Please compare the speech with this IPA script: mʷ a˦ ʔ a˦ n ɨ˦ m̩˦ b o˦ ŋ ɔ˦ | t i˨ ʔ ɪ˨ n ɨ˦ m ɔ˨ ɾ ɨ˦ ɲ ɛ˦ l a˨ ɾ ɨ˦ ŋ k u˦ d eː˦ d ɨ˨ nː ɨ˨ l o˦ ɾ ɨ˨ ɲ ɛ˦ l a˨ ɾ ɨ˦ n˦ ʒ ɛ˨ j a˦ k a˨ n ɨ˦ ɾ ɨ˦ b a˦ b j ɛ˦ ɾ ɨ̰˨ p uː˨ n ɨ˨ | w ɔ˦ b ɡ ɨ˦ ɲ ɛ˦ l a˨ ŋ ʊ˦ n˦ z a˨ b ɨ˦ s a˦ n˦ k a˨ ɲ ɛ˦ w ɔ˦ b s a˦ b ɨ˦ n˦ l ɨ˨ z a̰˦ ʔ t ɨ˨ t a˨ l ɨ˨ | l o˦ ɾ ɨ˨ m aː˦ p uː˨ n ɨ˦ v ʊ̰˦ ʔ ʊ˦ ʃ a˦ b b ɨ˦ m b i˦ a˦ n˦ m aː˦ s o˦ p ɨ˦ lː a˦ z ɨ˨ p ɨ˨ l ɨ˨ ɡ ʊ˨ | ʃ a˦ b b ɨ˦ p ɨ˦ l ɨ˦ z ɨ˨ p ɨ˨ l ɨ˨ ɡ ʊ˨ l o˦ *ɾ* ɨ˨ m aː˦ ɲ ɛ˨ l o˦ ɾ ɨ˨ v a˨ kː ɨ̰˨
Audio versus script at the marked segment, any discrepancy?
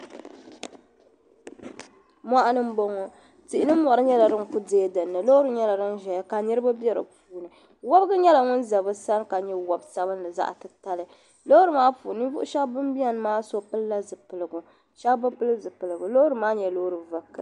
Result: no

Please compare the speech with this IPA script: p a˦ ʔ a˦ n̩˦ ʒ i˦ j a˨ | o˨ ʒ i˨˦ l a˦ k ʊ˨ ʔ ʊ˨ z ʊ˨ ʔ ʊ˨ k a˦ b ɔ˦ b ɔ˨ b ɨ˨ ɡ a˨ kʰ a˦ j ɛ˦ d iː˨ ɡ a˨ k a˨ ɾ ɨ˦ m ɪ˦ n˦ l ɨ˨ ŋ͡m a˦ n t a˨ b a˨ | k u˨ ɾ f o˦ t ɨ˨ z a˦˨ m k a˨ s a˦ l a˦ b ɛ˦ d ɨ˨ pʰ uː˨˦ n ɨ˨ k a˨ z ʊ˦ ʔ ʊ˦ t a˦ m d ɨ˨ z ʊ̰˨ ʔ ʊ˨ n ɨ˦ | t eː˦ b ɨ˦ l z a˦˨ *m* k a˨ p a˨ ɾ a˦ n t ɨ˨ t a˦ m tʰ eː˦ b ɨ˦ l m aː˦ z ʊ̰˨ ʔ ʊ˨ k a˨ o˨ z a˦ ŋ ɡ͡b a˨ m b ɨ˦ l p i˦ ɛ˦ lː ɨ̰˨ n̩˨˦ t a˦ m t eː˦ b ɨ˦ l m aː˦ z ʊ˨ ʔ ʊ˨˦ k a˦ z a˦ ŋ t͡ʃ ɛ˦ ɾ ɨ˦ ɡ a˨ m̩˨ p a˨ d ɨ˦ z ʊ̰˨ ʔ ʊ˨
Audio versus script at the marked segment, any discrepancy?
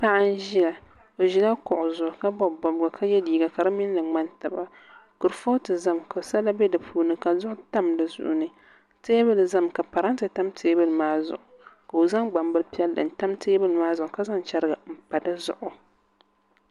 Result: no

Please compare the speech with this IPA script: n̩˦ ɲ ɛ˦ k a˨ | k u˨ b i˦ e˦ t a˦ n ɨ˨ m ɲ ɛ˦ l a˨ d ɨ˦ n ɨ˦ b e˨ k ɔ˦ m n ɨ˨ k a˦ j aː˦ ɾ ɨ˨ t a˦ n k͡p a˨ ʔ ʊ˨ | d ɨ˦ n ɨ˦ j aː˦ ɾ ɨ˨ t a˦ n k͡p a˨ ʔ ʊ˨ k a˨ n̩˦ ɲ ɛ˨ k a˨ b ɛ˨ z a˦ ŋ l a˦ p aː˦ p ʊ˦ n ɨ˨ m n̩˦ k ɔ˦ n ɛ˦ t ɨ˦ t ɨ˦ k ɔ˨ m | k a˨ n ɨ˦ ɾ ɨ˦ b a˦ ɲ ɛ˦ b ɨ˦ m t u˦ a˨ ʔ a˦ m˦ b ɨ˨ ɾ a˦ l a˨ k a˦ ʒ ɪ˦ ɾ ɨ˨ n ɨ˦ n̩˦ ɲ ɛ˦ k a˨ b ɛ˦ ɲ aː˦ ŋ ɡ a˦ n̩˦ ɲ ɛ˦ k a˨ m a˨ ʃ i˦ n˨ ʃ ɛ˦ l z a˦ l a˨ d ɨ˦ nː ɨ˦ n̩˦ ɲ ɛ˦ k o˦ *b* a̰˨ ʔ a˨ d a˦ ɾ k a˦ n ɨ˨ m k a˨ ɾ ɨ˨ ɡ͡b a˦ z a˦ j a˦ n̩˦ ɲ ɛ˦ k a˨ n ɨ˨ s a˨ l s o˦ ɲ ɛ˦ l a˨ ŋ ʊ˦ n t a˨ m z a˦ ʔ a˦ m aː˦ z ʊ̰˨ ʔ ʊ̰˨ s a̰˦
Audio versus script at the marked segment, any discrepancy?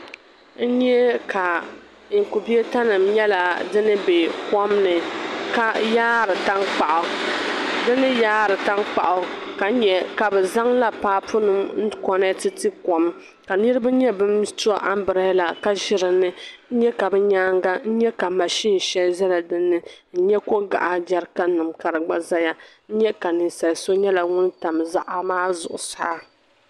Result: yes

